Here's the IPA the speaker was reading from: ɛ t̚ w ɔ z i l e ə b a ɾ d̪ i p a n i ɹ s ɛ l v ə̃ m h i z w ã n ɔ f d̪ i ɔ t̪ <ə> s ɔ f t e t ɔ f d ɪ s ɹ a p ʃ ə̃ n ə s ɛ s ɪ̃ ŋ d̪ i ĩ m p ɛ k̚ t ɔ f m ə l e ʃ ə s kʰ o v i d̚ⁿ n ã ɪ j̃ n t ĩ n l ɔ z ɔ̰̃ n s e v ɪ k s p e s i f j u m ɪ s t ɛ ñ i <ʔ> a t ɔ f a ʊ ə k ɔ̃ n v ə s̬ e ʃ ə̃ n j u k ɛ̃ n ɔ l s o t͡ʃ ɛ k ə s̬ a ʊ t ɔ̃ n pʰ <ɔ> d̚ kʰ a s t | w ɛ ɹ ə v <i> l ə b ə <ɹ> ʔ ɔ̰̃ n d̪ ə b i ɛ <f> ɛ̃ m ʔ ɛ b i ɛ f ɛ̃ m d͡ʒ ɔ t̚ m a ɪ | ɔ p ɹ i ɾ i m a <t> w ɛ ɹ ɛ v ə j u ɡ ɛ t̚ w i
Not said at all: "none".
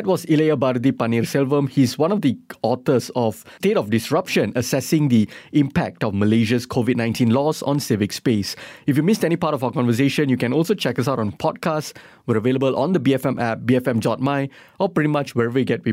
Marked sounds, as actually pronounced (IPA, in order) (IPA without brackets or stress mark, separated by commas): ə, p, ɔ, e, l, f, t͡ʃ